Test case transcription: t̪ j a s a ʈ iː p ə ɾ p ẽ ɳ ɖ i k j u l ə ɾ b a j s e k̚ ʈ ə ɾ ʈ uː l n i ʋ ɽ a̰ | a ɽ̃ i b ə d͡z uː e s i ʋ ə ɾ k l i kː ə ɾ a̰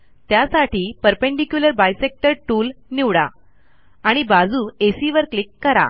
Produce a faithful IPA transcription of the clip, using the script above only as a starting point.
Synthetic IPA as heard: t̪ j a s a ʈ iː p ə ɾ p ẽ ɳ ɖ i k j u l ə ɾ b a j s e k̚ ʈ ə ɾ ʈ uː l n i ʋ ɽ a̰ | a ɽ̃ i b a d͡z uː e s i ʋ ə ɾ k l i kː ə ɾ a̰